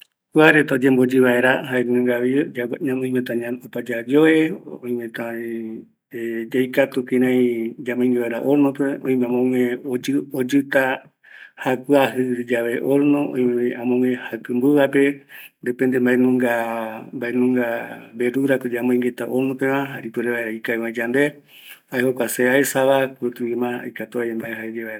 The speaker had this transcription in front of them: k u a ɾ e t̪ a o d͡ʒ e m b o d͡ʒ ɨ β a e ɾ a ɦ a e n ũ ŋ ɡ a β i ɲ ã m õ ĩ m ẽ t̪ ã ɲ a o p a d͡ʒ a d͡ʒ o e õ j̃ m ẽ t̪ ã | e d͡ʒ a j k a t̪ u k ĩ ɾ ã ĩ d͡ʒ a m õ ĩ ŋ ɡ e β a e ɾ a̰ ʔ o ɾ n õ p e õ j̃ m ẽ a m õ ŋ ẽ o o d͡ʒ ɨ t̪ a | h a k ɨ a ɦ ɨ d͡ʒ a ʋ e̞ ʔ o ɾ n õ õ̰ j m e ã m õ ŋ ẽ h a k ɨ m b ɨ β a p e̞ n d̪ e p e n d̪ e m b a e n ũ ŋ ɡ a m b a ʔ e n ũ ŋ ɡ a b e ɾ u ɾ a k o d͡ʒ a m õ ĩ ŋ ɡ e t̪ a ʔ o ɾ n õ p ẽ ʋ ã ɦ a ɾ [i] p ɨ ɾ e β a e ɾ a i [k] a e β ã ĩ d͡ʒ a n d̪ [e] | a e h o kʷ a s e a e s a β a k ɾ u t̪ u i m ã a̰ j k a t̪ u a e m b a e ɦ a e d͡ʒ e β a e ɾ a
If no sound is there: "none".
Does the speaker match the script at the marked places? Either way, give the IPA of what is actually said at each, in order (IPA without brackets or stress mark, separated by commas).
i, k, e